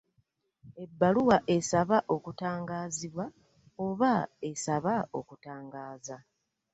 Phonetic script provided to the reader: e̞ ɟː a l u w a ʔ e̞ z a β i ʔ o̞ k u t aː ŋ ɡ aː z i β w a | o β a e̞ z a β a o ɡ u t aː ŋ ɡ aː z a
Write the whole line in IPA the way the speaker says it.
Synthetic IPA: e̞ bː a l u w a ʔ e̞ s a β a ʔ o̞ k u t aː ŋ ɡ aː z i β w a | o β a e̞ s a β a o k u t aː ŋ ɡ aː z a